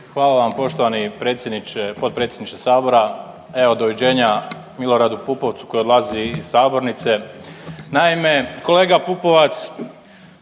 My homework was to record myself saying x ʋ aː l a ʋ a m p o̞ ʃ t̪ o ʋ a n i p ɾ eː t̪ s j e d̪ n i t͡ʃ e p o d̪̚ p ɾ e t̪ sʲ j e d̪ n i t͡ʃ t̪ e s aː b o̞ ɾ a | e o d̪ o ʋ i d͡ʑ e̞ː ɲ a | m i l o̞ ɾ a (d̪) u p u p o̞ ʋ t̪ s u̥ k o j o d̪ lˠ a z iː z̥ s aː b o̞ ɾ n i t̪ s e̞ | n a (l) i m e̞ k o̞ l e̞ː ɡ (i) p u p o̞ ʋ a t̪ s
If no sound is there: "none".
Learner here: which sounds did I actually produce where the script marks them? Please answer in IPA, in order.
d̪, none, a

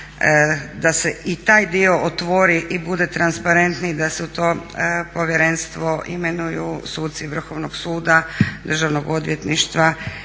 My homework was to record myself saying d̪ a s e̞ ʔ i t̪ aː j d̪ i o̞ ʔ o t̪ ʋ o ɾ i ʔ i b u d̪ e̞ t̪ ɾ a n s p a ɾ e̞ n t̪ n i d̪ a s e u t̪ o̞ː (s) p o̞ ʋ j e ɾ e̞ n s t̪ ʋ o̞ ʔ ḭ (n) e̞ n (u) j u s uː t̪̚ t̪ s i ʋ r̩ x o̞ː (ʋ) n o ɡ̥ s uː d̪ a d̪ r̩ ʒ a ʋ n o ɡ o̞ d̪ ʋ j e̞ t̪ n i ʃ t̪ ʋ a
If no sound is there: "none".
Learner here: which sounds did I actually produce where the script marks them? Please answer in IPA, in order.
none, m, u, ʋ

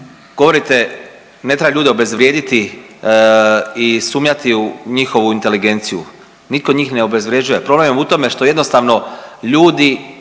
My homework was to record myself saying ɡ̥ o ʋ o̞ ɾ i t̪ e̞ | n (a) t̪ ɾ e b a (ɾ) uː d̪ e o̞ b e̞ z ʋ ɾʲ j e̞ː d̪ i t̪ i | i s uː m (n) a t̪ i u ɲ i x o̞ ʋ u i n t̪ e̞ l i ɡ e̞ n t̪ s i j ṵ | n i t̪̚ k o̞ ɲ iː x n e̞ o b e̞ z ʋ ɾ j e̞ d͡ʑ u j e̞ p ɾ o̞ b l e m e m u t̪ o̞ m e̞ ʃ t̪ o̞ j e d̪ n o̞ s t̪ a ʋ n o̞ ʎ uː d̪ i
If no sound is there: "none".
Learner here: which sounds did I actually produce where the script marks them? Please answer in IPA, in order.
e, ʎ, ɲ

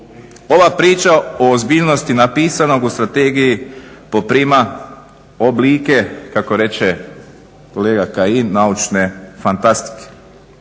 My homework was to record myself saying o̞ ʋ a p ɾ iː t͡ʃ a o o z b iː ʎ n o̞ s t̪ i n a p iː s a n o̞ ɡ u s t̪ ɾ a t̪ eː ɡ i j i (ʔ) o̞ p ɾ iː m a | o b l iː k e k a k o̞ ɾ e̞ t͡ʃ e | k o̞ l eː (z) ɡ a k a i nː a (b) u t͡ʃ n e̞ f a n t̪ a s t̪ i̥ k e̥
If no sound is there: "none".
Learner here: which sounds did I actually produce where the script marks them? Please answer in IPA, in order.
p, none, none

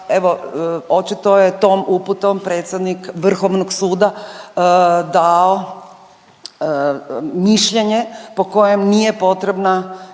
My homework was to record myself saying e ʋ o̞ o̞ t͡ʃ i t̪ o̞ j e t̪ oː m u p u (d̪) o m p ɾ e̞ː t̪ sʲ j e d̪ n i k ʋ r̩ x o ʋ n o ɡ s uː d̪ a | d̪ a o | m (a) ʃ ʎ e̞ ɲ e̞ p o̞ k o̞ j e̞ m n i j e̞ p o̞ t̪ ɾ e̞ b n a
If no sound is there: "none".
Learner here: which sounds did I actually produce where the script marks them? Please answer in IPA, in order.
t̪, i

